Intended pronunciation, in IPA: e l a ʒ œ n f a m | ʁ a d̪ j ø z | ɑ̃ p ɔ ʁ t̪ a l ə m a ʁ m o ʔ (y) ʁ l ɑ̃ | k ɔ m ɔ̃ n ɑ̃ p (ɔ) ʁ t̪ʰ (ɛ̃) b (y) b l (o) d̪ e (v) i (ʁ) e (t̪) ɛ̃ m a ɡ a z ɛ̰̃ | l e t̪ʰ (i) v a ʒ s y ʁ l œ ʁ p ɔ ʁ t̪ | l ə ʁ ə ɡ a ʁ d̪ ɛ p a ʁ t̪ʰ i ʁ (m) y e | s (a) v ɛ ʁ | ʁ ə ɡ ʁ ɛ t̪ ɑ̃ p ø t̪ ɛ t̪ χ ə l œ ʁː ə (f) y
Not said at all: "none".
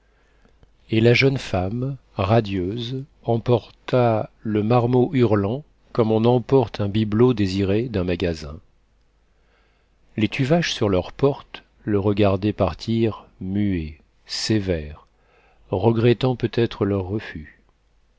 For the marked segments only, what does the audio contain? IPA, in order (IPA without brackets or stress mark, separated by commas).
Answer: y, ɔ, ɛ̃, i, o, z, ʁ, d̪, y, m, e, f